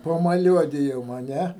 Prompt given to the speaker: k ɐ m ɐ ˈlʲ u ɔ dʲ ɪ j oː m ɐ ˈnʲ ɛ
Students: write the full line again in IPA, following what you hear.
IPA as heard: p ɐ m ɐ ˈlʲ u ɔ dʲ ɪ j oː m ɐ ˈnʲ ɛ